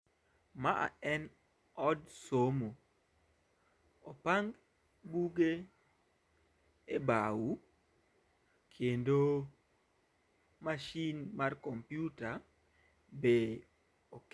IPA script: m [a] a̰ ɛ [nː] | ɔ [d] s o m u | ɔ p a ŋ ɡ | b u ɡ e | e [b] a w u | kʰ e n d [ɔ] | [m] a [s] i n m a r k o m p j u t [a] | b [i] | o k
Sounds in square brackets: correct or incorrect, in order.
correct, incorrect: n, correct, correct, incorrect: o, correct, incorrect: ʃ, correct, incorrect: e

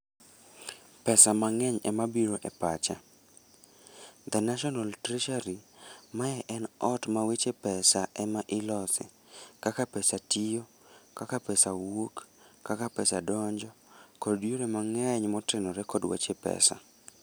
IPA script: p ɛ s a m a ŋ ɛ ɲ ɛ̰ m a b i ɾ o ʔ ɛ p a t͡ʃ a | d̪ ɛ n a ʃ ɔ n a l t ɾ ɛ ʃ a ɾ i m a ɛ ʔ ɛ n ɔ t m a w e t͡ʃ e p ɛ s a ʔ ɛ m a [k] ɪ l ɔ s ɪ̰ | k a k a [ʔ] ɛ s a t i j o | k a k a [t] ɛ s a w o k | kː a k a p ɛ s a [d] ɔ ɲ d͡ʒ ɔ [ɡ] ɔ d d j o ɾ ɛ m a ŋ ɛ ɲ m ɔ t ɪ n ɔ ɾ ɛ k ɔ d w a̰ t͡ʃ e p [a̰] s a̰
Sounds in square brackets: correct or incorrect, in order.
incorrect: ʔ, incorrect: p, incorrect: p, correct, incorrect: k, incorrect: ɛ̰

